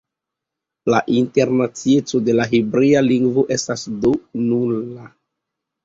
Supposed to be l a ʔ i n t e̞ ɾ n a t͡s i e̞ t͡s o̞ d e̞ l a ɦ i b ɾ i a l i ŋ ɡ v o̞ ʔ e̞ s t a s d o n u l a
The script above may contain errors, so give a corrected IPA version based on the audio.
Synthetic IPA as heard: l a ʔ i n t e̞ ɾ n a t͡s i e̞ t͡s o̞ d e̞ l a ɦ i b ɾ i a l i ŋ ɡ v o̞ ʔ e̞ s t a s d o n u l a